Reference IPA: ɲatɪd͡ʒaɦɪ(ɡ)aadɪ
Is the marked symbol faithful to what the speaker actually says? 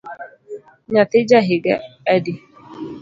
yes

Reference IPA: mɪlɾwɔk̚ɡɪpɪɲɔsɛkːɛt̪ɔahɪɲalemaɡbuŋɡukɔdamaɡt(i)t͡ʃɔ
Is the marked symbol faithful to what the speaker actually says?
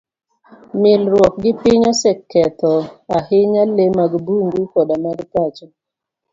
no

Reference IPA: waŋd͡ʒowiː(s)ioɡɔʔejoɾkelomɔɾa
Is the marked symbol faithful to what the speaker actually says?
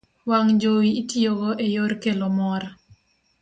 no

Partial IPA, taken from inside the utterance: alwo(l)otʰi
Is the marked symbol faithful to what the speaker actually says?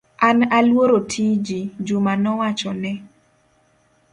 no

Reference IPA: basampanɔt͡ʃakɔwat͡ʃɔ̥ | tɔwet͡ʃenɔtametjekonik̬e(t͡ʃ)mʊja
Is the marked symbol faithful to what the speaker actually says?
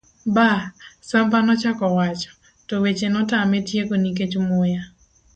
yes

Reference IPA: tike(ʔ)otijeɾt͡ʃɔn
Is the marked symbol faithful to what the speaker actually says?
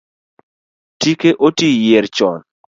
yes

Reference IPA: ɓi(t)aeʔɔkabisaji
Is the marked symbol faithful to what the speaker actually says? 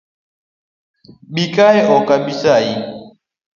no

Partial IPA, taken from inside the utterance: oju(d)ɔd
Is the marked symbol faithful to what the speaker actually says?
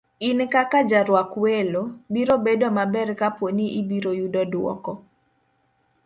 yes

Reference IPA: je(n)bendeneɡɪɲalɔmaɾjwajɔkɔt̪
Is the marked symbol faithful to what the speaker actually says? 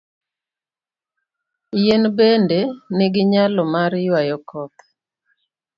yes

